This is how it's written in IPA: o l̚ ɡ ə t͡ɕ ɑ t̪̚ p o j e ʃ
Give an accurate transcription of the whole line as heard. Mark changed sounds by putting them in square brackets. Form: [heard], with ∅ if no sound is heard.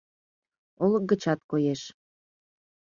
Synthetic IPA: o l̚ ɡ ə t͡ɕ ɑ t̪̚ [k] o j e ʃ